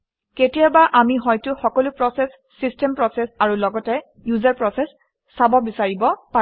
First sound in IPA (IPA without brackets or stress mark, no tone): k